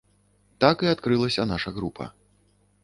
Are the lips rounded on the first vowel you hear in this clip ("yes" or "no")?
no